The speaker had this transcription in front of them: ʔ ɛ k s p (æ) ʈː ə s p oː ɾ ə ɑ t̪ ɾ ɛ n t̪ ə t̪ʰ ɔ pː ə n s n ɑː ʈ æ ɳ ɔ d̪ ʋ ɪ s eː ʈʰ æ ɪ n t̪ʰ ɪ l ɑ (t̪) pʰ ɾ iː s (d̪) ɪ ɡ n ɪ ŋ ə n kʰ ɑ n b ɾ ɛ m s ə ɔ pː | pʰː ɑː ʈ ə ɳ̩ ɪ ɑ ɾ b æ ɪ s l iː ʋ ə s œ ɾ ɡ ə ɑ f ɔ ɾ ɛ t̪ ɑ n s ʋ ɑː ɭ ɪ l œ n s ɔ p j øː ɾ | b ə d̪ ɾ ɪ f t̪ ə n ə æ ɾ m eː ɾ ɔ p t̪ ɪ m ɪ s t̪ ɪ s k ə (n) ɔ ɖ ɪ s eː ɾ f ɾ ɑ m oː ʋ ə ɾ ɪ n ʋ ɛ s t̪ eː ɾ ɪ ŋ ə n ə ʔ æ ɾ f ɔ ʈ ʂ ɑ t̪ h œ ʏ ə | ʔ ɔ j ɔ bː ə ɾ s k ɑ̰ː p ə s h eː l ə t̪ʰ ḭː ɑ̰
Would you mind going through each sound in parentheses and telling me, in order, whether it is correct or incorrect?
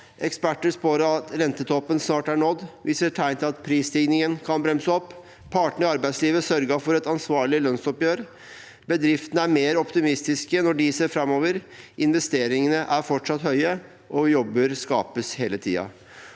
correct, correct, incorrect: t̪, correct

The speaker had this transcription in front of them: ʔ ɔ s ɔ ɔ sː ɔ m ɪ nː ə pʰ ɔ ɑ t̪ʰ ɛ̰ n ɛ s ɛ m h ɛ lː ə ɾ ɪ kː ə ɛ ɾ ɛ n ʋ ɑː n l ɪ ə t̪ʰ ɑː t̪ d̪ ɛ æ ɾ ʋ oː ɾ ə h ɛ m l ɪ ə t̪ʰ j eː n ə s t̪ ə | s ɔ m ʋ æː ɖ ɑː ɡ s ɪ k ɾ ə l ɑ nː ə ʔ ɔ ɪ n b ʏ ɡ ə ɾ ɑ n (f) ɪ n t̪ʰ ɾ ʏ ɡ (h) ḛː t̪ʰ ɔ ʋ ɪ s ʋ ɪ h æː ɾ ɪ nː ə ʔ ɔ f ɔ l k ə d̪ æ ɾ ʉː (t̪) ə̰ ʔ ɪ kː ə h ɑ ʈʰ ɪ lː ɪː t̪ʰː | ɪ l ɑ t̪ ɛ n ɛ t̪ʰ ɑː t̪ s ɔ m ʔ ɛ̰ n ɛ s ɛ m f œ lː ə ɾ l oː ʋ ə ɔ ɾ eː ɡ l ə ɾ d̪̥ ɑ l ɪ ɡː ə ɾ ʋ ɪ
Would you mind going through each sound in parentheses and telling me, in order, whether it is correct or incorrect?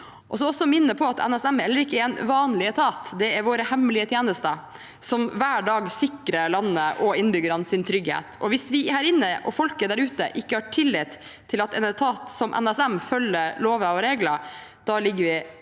incorrect: s, correct, correct

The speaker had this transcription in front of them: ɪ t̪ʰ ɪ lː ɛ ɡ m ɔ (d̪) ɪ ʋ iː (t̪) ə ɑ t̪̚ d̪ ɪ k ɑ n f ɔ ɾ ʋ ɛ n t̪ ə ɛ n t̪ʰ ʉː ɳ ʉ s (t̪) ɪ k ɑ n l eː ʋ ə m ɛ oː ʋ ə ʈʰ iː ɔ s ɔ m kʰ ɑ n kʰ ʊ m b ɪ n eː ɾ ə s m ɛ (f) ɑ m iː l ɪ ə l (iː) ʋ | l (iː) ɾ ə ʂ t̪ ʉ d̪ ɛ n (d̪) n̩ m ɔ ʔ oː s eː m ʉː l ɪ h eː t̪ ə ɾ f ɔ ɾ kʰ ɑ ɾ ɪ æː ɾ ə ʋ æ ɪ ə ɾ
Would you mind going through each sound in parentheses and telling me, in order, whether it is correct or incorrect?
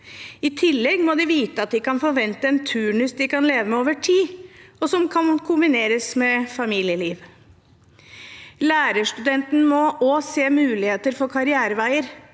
correct, correct, incorrect: d̪, correct, correct, incorrect: æː, incorrect: t̪

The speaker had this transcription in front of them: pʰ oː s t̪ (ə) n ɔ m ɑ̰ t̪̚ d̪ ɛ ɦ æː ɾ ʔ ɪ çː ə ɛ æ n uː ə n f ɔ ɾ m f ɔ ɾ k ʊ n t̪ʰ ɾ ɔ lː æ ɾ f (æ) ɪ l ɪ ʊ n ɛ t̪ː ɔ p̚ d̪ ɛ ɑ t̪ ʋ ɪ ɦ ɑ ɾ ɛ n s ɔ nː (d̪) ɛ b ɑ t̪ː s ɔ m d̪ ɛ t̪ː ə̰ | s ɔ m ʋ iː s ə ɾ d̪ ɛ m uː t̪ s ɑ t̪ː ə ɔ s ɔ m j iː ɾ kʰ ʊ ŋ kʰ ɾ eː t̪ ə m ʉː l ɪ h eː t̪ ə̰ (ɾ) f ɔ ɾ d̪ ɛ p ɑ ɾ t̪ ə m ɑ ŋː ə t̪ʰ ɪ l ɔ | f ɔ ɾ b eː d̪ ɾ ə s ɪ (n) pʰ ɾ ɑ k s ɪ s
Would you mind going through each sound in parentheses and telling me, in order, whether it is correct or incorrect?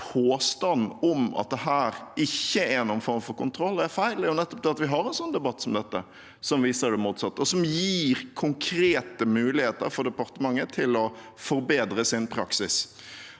incorrect: ɑ, correct, correct, correct, correct

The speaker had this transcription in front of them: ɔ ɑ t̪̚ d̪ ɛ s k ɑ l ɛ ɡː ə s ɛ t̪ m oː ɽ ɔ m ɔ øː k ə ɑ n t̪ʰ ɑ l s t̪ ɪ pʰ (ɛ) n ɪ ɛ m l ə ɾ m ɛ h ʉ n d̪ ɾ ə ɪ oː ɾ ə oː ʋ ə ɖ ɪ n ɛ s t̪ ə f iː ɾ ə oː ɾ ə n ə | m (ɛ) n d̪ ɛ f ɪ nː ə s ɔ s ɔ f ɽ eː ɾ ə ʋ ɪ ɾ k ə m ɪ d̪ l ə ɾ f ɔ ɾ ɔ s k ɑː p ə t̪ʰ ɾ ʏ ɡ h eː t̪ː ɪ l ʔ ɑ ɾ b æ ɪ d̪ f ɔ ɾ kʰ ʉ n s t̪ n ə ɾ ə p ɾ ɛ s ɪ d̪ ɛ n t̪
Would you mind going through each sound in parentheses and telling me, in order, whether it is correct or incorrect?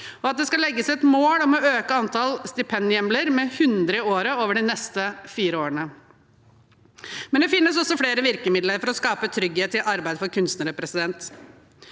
correct, correct

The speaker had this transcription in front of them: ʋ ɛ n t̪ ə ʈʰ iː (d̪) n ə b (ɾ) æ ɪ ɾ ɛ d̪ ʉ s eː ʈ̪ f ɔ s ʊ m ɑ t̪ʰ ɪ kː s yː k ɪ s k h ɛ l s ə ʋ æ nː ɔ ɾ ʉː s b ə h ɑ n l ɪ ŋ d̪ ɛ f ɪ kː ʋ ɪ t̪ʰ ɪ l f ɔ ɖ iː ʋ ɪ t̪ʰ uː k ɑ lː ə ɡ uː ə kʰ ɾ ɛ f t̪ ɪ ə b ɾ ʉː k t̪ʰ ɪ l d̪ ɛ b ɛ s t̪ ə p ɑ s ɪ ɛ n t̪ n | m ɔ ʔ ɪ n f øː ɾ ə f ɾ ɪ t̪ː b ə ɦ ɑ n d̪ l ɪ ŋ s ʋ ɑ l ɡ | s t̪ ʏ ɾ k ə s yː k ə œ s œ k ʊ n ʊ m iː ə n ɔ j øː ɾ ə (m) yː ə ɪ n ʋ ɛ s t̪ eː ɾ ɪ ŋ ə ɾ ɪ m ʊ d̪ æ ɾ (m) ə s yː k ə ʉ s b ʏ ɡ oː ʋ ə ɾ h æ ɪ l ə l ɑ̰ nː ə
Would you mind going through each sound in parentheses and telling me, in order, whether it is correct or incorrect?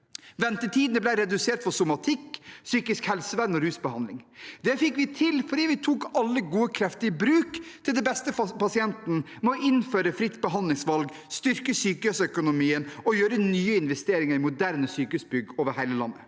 correct, incorrect: l, incorrect: n, incorrect: n

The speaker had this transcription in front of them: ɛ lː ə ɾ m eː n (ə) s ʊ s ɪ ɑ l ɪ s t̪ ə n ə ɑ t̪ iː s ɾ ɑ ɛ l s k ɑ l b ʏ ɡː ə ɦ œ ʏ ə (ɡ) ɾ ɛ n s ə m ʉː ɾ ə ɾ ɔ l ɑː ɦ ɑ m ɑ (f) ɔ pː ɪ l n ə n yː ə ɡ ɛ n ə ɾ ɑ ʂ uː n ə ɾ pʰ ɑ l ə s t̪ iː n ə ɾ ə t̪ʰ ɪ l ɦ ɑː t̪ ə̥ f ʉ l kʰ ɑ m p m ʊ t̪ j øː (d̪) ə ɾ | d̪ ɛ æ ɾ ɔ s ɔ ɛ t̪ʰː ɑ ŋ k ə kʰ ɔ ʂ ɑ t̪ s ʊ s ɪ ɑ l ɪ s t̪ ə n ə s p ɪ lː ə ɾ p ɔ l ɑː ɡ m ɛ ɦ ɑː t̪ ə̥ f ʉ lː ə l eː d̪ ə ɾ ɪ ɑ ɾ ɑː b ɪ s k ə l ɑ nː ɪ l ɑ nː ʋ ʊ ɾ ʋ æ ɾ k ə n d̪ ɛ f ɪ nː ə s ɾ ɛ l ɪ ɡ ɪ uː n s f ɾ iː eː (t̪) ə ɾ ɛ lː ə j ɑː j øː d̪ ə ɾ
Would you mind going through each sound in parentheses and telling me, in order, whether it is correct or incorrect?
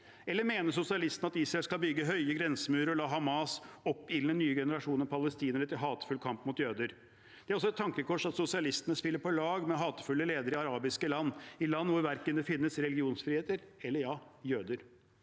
correct, correct, incorrect: s, correct, correct

